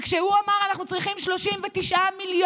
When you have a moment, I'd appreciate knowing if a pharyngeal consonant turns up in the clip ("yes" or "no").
no